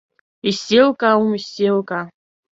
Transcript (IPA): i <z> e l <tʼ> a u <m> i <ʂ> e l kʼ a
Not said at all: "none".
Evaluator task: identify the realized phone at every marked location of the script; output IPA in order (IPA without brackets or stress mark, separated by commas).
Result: s, kʼ, m, s